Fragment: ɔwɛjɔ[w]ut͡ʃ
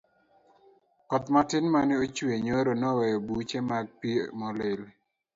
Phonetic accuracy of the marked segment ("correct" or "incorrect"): incorrect